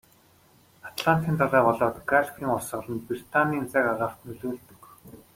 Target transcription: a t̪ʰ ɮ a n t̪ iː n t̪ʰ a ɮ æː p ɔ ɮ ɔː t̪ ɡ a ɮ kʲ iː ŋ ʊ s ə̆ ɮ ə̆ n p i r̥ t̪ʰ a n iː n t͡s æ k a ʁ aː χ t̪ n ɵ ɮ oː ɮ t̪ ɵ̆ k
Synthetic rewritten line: a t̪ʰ ɮ a n t̪ iː n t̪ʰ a ɮ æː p ɔ ɮ ɔː t̪ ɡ a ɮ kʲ iː ŋ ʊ s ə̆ ɮ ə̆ n p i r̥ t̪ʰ a n iː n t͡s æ k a ʁ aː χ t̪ n ɵ ɮ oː ɮ t̪ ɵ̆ k

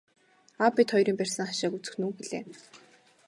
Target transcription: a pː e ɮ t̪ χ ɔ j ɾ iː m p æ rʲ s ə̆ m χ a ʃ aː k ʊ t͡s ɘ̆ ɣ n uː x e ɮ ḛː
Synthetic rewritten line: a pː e t̪ χ ɔ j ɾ iː m p æ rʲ s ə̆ ŋ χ a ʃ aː k u t͡s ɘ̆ x n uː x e ɮ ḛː

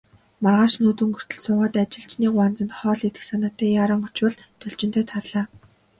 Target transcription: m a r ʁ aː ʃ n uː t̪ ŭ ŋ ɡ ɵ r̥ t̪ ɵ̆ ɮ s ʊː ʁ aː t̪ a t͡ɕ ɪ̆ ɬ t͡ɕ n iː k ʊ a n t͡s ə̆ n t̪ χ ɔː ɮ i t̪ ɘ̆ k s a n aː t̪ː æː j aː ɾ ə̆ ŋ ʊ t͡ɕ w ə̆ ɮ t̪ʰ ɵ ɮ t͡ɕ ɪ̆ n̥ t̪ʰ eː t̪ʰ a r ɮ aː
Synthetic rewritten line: m a r ʁ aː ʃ n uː t̪ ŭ ŋ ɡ ɵ r̥ t̪ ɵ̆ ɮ s ʊː ʁ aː t̪ a t͡ɕ ɪ̆ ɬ t͡ɕ n iː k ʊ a n t͡s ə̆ n t̪ χ ɔː ɮ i t̪ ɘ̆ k s a n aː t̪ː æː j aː ɾ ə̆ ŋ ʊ t͡ɕ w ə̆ ɮ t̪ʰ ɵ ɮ t͡ɕ ɪ̆ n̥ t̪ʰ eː t̪ʰ a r ɮ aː

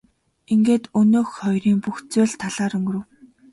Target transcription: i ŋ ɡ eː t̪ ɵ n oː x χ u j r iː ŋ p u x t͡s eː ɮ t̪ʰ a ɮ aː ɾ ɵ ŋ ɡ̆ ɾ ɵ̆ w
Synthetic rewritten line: i ŋ ɡ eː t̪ ɵ n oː x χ ɔ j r iː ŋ p u x t͡s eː ɮ t̪ʰ a ɮ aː ɾ ɵ ŋ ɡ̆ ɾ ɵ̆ w

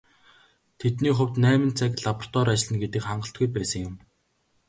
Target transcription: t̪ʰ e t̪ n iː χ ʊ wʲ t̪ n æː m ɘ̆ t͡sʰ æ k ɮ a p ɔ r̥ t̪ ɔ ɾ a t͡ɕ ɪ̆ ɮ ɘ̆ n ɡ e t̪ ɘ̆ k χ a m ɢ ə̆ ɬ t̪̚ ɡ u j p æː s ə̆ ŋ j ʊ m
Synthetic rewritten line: t̪ʰ e t̪ n iː χ ʊ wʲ t̪ n æː m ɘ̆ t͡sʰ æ k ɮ a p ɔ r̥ t̪ ɔ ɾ a t͡ɕ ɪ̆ ɮ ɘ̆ n ɡ e t̪ ɘ̆ k χ a ɴ ɢ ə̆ ɬ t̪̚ ɡ u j p æː s ə̆ ŋ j ʊ m

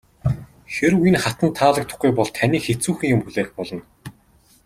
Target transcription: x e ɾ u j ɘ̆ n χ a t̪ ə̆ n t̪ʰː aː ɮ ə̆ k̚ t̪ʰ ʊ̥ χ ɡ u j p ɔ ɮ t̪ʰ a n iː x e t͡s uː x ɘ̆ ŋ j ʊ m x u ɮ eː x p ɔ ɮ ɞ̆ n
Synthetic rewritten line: x e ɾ u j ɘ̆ n χ a t̪ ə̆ n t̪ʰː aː ɮ ə̆ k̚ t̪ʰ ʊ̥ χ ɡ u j p ɔ ɮ t̪ʰ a n iː x e t͡s uː x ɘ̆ ŋ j ʊ m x u ɮ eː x p ɔ ɮ ɞ̆ n

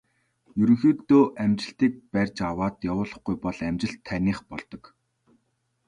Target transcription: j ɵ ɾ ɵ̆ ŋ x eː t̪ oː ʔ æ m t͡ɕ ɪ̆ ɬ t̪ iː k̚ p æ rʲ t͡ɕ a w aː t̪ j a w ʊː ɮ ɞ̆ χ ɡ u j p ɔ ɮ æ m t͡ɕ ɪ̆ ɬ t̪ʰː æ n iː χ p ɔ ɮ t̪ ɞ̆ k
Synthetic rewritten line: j ɵ ɾ ɵ̆ ŋ x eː t̪ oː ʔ æ m t͡ɕ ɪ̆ ɬ t̪ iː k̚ p æ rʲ t͡ɕ a w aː t̪ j a w ʊː ɮ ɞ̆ χ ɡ u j p ɔ ɮ æ m t͡ɕ ɪ̆ ɬ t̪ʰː æ n iː χ p ɔ ɮ t̪ ɞ̆ k

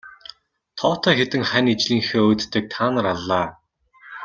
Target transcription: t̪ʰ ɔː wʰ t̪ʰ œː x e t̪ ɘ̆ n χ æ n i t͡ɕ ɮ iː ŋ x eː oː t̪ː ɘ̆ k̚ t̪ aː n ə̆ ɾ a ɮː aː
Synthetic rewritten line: t̪ʰ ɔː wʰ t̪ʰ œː x e t̪ ɘ̆ ŋ χ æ n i t͡ɕ ɮ iː ŋ x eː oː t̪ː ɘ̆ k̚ t̪ʰ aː n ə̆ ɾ a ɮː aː

